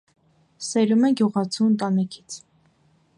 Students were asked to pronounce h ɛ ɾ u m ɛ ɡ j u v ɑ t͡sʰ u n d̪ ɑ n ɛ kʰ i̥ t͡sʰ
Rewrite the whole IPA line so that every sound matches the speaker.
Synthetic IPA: s ɛ ɾ u m ɛ ɡ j u ʁ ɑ t͡sʰ u n t̪ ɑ n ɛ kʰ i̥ t͡sʰ